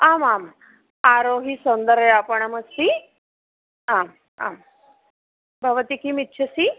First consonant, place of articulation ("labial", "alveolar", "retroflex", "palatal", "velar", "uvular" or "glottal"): labial